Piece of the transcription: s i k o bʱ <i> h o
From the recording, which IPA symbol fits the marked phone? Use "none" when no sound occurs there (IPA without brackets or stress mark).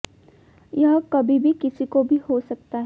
i